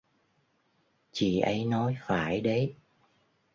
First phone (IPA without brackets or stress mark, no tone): t͡ɕ